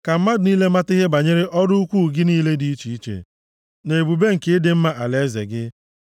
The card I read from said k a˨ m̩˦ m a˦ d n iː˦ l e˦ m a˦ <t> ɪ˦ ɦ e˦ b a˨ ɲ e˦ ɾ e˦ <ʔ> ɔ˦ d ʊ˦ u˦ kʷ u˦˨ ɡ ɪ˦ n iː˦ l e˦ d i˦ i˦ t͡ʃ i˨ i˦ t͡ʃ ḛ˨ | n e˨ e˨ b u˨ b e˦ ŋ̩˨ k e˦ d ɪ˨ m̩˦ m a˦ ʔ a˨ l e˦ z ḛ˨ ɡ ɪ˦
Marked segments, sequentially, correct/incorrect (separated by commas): correct, correct